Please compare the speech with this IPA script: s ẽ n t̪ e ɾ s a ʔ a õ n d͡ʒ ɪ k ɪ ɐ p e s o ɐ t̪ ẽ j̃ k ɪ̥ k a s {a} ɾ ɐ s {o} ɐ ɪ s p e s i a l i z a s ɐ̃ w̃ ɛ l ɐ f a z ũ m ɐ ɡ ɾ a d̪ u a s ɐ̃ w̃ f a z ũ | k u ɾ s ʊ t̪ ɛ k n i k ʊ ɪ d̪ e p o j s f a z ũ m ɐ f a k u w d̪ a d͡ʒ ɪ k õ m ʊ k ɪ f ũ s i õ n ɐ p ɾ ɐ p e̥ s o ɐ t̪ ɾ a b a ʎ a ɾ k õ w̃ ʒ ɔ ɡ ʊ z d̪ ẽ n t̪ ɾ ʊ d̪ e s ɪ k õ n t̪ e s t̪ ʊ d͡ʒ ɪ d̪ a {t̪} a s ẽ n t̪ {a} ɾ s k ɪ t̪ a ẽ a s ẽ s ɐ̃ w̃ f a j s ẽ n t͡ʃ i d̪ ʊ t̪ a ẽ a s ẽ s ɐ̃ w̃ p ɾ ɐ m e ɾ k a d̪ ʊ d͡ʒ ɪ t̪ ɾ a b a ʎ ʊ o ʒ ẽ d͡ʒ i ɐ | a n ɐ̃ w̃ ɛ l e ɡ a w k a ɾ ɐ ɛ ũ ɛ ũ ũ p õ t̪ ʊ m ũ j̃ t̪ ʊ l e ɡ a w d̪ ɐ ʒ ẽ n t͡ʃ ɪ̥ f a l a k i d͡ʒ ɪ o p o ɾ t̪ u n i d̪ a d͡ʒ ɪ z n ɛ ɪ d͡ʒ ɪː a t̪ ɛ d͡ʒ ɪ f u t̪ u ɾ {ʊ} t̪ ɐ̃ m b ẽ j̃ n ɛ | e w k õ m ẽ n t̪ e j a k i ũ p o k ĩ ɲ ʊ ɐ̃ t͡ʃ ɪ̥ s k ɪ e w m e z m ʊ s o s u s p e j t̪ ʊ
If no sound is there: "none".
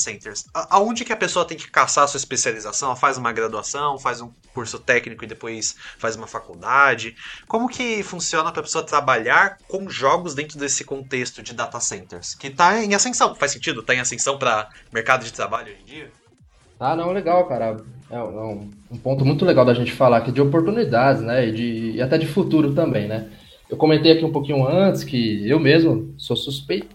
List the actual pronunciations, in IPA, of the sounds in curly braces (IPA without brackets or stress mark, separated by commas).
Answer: a, u, t̪, e, ʊ